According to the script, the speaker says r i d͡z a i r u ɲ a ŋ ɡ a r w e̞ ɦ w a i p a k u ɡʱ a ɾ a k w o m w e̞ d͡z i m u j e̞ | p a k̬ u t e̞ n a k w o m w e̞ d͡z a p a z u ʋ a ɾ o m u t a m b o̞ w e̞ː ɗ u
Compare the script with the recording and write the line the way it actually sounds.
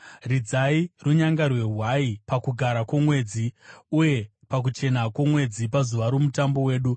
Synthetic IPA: r i d͡z a i r u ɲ a ŋ ɡ a r w e̞ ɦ w a i p a k u ɡʱ a ɾ a k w o m w e̞ d͡z i u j e̞ | p a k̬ u t͡ʃ e̞ n a k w o m w e̞ d͡z i p a z u ʋ a ɾ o m u t a m b o̞ w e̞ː ɗ u